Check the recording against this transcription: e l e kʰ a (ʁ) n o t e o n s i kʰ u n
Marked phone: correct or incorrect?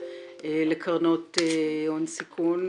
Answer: correct